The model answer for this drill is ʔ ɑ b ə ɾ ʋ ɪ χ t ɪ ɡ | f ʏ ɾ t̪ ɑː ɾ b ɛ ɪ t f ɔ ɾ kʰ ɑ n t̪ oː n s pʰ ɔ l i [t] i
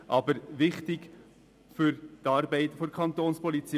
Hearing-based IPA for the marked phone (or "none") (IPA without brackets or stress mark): t͡s